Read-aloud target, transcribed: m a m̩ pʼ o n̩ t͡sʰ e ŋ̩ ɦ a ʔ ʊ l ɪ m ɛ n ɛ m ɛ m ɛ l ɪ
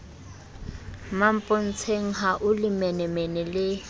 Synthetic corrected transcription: m a m̩ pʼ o n̩ t͡sʰ e ŋ̩ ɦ a ʔ ʊ l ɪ m ɛ n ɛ m ɛ n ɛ l ɪ